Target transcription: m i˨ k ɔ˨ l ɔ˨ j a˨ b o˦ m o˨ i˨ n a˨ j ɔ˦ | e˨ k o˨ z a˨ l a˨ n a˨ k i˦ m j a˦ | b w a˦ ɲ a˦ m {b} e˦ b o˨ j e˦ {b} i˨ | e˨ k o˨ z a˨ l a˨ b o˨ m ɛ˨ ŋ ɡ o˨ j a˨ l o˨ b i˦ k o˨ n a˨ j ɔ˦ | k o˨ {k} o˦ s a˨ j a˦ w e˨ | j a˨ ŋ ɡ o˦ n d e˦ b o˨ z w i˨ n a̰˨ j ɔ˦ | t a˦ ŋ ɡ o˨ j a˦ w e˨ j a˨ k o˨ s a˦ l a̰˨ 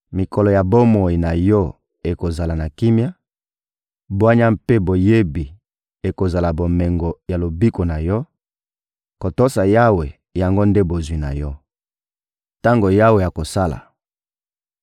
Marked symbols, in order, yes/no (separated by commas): no, yes, no